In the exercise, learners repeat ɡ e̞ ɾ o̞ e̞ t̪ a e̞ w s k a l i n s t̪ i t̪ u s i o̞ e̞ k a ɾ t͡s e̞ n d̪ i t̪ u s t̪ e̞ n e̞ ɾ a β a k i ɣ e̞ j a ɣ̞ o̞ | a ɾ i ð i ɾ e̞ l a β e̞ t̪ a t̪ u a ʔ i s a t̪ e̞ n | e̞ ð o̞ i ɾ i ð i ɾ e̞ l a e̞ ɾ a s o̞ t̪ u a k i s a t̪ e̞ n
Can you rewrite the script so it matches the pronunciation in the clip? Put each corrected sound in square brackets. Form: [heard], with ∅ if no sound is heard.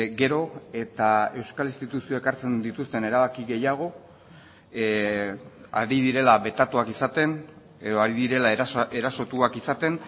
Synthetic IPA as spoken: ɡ e̞ ɾ o̞ e̞ t̪ a e̞ w s k a l i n s t̪ i t̪ u s i o̞ e̞ k a ɾ t͡s e̞ n d̪ i t̪ u s t̪ e̞ n e̞ ɾ a β a k i ɣ e̞ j a ɣ̞ o̞ | a ɾ i ð i ɾ e̞ l a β e̞ t̪ a t̪ u a [k] i s a t̪ e̞ n | e̞ ð o̞ [a] ɾ i ð i ɾ e̞ l a e̞ ɾ a s o̞ t̪ u a k i s a t̪ e̞ n